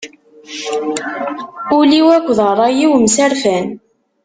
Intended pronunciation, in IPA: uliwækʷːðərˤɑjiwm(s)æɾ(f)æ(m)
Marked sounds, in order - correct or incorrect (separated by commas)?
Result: correct, correct, incorrect